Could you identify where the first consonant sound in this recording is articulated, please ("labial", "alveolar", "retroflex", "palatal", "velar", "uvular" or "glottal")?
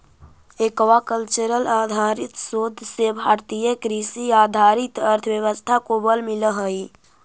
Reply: velar